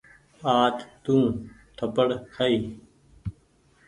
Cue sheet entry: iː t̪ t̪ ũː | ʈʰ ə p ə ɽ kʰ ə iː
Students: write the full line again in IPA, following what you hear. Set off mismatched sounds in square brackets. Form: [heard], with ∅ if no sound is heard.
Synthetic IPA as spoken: [aː] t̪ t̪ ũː | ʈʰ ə p ə ɽ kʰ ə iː